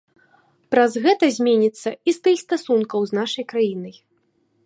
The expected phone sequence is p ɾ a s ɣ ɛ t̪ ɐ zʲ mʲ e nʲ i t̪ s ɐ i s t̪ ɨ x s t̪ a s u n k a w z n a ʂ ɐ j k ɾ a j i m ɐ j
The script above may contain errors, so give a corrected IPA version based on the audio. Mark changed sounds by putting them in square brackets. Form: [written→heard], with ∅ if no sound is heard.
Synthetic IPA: p ɾ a [s→z] ɣ ɛ t̪ ɐ zʲ mʲ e nʲ i t̪ [s→sː] ɐ i s t̪ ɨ x s t̪ a s u n k [a→ɐ] w z n a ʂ ɐ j k ɾ a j i [m→n] ɐ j